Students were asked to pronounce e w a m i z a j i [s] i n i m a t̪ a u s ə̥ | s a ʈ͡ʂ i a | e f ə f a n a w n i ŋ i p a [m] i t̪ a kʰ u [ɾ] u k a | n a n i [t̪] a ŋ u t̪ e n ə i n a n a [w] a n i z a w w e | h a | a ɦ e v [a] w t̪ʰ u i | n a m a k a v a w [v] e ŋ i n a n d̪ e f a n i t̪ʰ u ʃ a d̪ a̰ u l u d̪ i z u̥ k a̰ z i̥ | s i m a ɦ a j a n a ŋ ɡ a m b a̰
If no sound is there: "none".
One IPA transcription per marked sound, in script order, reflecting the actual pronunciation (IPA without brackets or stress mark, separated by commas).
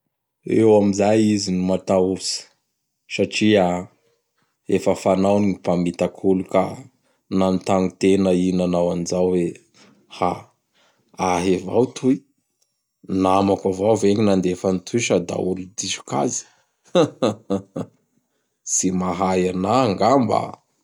z, m, l, t̪, w, a, v